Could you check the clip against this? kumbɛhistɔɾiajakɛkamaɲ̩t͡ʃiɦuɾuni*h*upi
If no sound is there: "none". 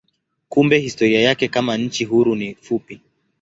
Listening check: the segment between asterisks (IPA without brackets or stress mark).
f